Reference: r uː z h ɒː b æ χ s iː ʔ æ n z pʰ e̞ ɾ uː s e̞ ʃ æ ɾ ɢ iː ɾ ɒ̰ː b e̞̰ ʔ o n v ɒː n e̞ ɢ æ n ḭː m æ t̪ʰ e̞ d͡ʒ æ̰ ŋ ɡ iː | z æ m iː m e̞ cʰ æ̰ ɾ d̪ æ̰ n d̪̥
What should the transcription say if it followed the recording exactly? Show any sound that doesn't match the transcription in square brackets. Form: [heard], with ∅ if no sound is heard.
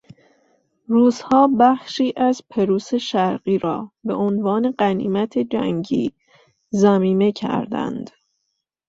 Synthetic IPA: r uː z h ɒː b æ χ [ʃ] iː ʔ æ [∅] z pʰ e̞ ɾ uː s e̞ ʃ æ ɾ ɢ iː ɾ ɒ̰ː b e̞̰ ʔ o n v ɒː n e̞ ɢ æ n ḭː m æ t̪ʰ e̞ d͡ʒ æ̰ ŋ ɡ iː | z æ m iː m e̞ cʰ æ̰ ɾ d̪ æ̰ n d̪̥